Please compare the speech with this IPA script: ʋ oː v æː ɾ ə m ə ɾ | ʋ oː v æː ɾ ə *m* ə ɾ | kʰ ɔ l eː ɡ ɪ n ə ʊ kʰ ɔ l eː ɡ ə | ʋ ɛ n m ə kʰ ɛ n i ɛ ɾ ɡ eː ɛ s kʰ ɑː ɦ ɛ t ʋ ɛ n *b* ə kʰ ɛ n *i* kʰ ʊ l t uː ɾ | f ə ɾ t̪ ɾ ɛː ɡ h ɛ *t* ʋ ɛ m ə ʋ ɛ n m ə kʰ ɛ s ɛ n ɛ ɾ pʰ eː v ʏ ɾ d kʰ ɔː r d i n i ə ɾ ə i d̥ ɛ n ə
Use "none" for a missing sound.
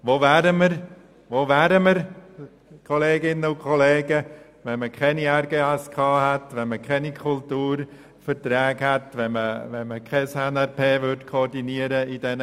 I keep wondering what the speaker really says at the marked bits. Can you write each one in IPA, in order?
m, m, i, t

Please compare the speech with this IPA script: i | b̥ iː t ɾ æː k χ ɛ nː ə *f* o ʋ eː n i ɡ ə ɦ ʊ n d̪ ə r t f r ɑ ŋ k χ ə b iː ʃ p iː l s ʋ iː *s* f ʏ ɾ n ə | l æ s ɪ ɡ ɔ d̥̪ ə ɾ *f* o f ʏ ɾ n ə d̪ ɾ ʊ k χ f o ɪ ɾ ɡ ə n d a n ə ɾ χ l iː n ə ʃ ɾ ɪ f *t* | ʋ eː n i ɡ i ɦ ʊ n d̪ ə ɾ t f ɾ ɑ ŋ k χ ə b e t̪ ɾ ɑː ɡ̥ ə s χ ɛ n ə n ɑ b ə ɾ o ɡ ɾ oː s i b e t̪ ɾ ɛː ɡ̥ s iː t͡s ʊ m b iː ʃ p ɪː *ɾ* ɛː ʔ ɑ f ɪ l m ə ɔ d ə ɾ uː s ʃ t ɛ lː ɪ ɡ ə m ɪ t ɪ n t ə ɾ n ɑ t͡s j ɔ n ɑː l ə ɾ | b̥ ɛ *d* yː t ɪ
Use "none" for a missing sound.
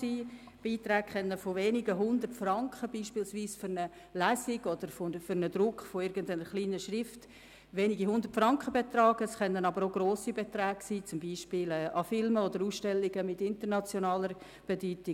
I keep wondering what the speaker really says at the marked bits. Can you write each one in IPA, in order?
f, s, f, t, l, d

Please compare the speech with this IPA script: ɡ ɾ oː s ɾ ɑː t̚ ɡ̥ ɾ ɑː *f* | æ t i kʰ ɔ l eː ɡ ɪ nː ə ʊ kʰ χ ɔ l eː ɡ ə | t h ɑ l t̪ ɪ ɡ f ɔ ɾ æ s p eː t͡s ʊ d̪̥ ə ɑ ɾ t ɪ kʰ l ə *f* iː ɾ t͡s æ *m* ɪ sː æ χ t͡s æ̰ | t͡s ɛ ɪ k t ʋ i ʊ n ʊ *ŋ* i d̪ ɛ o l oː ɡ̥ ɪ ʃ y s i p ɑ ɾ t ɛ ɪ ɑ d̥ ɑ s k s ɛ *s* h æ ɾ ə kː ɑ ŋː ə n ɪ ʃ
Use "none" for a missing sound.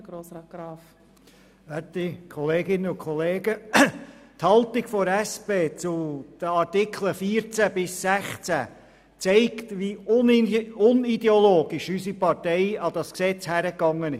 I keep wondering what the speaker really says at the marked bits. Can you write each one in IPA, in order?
f, f, b, n, t͡s

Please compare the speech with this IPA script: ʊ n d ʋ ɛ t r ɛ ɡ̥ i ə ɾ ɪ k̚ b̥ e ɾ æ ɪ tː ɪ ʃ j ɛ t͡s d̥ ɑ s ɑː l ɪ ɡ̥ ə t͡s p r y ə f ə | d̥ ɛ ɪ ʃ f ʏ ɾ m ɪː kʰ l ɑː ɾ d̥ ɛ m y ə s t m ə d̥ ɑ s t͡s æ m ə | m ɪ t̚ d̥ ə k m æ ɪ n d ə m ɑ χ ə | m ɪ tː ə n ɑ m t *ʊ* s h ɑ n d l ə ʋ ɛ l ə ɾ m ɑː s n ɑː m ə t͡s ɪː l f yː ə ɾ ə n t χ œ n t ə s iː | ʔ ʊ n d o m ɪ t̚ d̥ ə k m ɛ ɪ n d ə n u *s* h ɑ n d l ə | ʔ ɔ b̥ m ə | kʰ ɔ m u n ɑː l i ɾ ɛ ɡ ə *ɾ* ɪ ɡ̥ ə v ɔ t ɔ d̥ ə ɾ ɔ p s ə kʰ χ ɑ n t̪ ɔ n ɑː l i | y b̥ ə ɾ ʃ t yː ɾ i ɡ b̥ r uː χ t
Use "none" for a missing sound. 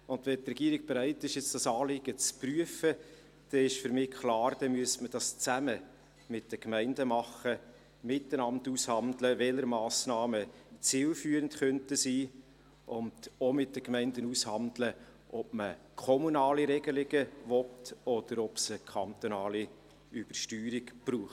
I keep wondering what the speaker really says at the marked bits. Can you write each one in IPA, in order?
u, s, l

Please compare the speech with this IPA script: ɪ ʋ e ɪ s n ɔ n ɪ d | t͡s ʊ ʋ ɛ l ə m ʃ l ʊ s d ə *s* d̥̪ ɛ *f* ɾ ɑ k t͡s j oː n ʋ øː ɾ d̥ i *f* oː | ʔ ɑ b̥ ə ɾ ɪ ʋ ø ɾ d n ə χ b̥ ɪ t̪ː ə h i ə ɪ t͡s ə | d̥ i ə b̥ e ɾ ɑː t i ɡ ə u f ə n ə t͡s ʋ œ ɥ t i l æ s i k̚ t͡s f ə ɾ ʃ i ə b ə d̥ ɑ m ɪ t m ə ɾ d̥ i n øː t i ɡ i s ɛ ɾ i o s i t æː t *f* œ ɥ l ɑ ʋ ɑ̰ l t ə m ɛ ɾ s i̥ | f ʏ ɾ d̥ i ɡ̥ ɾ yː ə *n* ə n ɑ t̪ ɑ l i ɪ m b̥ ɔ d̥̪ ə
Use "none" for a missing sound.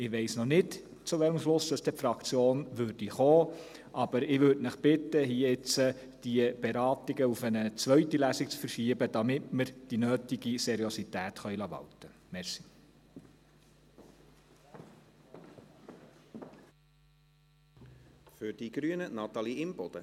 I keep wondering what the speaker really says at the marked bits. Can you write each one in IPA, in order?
s, f, χ, χ, n

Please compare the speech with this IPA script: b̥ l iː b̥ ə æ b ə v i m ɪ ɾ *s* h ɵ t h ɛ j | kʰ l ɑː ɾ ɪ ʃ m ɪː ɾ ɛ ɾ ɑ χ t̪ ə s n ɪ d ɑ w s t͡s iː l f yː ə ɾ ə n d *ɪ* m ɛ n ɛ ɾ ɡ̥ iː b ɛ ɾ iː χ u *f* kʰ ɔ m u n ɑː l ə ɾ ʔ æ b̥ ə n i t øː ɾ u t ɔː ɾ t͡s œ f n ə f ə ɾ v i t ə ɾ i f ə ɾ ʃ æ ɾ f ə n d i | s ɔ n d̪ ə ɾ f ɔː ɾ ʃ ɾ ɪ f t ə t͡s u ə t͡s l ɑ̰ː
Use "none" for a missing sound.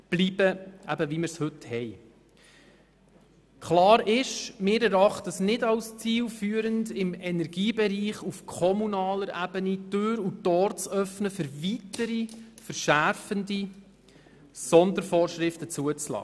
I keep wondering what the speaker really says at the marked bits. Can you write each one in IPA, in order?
s, ɪ, f

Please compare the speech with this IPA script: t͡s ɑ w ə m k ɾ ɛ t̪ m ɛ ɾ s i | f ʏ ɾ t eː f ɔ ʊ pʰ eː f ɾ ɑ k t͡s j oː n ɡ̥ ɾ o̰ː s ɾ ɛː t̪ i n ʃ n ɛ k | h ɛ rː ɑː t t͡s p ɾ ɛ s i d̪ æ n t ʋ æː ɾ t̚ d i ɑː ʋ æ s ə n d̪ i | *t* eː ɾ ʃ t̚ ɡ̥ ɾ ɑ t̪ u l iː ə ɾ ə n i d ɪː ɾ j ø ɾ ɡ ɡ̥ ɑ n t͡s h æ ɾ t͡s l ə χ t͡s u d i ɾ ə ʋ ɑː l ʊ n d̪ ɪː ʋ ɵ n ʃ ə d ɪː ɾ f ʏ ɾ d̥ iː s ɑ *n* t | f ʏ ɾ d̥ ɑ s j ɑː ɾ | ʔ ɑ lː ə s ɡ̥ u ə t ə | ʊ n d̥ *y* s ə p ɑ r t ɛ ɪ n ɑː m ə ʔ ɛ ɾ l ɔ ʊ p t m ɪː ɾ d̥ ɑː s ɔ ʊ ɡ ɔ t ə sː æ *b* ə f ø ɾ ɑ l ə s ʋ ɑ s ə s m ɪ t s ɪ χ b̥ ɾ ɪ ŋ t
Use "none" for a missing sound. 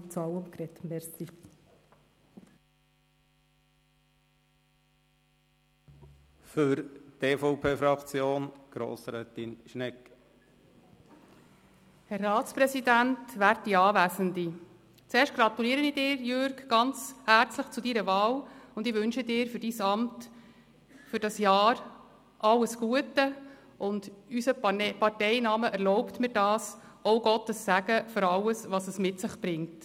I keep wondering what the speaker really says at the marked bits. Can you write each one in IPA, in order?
t͡s, m, y, ɡ

